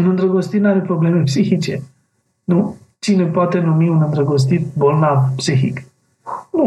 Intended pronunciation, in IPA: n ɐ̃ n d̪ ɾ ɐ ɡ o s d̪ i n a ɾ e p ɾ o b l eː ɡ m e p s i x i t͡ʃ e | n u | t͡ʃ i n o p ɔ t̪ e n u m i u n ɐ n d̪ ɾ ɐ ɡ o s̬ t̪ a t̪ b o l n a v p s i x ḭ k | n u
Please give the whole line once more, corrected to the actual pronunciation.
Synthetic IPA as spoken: n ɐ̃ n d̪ ɾ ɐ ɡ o s t̪ i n a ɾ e p ɾ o b l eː m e p s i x i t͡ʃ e | n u | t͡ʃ i n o p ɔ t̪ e n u m i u n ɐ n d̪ ɾ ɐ ɡ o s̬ t̪ i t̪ b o l n a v p s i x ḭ k | n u